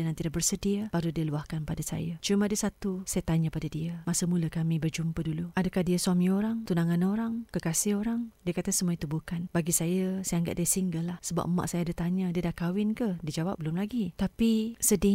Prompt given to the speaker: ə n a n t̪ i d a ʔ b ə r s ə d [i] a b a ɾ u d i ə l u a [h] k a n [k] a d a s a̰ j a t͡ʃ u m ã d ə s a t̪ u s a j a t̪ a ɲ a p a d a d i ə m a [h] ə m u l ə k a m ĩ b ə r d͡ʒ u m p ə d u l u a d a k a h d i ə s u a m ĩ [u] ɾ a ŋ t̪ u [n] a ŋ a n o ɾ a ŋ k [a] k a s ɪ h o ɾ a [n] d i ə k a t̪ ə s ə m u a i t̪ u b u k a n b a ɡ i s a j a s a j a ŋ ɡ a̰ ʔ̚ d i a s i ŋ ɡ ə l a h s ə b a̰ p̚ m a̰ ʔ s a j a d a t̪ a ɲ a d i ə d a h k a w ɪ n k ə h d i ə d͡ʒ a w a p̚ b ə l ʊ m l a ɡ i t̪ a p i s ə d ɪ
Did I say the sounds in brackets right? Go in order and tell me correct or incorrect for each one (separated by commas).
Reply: correct, correct, incorrect, incorrect, incorrect, correct, incorrect, incorrect